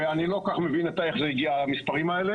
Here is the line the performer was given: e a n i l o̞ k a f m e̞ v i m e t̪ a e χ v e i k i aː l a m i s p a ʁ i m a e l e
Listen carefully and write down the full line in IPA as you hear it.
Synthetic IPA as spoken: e a n i l o̞ k a χ m e̞ v i n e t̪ a e χ z e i ɡ i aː l a m i s p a ʁ i m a e l e